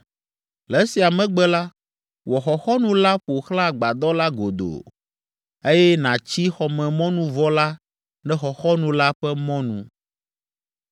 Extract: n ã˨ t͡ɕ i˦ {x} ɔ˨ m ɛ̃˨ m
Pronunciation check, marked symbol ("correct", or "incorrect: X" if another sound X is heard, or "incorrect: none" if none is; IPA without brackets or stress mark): correct